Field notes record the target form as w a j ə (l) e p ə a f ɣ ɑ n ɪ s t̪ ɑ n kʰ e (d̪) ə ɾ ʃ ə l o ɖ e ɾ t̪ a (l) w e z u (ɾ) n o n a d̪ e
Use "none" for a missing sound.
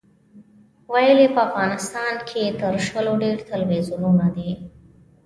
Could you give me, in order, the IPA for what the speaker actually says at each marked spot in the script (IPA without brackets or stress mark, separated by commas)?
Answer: l, t̪, l, none